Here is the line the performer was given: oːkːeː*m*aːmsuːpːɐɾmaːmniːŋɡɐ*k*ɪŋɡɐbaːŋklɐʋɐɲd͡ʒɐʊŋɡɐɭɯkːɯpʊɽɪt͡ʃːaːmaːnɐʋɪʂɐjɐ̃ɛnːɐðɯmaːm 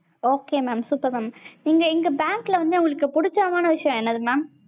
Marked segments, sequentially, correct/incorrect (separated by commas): correct, incorrect